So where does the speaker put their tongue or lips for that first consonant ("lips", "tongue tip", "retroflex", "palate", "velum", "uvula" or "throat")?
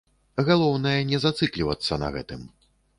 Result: velum